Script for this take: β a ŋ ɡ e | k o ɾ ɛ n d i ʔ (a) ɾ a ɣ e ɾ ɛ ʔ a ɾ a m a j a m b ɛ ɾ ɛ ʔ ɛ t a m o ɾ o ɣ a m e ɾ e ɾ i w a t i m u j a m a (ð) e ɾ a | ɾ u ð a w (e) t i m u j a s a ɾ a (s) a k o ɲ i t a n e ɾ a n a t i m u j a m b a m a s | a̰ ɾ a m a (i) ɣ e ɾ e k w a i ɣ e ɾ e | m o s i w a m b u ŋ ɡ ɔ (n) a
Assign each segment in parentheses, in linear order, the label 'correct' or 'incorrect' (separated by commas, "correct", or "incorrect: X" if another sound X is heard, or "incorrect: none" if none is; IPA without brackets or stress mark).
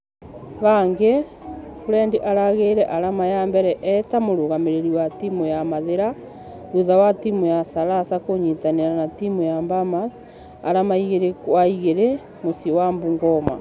correct, correct, incorrect: a, correct, correct, incorrect: m